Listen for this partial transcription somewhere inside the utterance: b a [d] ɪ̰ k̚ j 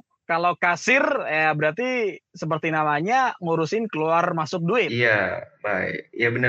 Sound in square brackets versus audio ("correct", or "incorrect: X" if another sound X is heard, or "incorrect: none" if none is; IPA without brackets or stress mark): incorrect: none